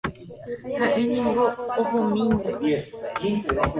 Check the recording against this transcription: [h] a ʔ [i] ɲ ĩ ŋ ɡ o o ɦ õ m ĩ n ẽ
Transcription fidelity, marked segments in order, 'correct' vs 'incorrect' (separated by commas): correct, incorrect